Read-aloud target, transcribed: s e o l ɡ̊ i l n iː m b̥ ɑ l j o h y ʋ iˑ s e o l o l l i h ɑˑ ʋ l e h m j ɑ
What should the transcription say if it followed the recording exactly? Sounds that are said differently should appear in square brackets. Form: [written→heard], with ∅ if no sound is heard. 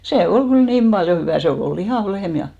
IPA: s e o l ɡ̊ [i→y] l n iː m b̥ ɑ l j o h y ʋ [iˑ→æˑ] s e o l o l l i h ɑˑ ʋ l e h m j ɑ